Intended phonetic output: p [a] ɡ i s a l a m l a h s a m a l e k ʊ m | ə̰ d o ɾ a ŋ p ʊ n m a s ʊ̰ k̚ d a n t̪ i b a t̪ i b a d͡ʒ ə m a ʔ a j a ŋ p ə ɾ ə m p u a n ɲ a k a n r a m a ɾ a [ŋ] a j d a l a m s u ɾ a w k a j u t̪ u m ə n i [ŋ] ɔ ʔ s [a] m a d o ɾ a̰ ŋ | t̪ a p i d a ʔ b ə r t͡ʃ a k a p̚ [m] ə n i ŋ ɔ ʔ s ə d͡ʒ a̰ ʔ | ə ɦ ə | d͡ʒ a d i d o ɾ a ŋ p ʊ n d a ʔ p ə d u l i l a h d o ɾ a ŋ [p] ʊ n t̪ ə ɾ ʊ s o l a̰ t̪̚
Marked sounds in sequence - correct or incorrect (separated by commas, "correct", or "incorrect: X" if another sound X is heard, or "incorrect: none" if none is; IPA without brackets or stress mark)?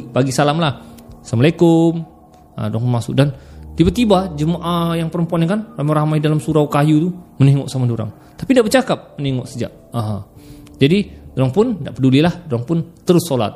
correct, incorrect: m, correct, correct, correct, correct